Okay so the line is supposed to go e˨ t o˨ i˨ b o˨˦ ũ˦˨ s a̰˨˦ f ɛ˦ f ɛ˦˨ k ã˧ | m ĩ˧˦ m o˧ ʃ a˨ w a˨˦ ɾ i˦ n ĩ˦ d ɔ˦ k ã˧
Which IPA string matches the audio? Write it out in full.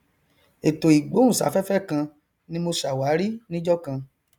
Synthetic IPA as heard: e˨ t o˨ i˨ ɡ͡b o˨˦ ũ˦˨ s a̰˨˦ f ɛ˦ f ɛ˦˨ k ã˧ | n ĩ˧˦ m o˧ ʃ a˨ w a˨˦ ɾ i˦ n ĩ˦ d͡ʒ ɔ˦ k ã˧